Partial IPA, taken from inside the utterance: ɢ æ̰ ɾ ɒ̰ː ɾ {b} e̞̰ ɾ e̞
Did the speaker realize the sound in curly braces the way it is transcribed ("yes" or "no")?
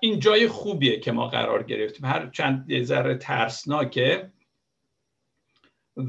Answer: no